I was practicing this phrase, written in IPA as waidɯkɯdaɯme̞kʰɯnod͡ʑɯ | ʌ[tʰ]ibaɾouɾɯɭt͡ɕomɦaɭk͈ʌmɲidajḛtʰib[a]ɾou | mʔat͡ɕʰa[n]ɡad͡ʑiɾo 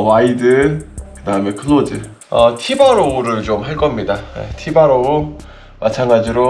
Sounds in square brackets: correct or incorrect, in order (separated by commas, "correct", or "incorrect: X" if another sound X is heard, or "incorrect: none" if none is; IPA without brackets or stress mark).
correct, correct, incorrect: ŋ